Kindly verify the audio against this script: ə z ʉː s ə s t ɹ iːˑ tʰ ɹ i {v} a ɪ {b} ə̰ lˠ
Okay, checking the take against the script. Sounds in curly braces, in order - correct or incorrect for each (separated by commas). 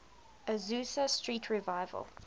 correct, incorrect